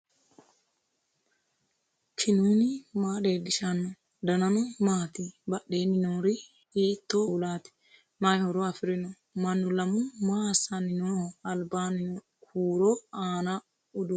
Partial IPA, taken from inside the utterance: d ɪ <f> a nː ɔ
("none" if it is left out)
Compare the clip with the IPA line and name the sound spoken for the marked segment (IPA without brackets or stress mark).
ʃ